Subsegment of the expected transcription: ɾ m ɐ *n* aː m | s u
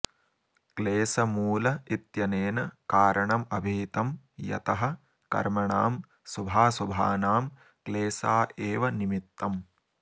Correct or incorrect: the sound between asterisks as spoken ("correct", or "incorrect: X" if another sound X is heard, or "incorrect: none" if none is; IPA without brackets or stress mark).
incorrect: ɳ